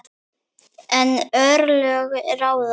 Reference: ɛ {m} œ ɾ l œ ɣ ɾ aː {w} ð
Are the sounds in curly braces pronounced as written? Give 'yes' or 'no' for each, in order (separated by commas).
no, yes